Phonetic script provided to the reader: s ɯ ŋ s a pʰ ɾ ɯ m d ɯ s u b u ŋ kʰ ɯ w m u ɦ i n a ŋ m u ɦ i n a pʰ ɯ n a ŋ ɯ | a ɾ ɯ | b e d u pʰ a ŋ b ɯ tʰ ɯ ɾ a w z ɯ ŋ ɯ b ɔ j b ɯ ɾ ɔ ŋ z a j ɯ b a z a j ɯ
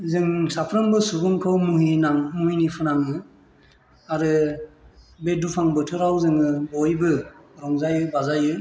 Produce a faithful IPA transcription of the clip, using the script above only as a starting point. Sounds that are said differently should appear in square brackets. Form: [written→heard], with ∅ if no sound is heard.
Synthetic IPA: [s→z] ɯ ŋ s a pʰ ɾ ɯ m [d→b] ɯ s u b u ŋ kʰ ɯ w m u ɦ i n a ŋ m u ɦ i n [a→i] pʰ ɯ n a ŋ ɯ | a ɾ ɯ | b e d u pʰ a ŋ b ɯ tʰ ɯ ɾ a w z ɯ ŋ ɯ b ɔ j b ɯ ɾ ɔ ŋ z a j ɯ b a z a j ɯ